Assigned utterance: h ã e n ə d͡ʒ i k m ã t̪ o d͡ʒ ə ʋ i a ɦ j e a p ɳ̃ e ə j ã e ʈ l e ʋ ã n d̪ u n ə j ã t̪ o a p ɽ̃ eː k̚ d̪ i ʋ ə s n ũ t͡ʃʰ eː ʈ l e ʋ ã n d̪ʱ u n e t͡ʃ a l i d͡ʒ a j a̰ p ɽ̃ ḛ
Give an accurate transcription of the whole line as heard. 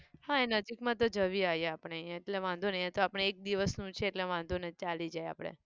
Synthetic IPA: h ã e n ə d͡ʒ i k m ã t̪ o d͡ʒ ə ʋ i a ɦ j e a p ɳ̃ e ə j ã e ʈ l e ʋ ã n d̪ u n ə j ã t̪ o a p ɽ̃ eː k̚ d̪ i ʋ ə s n ũ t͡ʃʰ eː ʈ l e ʋ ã n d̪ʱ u n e t͡ʃ a l i d͡ʒ a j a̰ p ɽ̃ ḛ